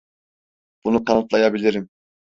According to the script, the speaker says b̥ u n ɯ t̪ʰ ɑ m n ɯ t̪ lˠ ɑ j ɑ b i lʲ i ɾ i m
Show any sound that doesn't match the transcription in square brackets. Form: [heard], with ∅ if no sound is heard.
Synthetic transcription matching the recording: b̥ u n [u] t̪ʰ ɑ [∅] n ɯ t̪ lˠ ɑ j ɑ b i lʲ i ɾ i m